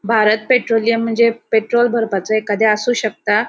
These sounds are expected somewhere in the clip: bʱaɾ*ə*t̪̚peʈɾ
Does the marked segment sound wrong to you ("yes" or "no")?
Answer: no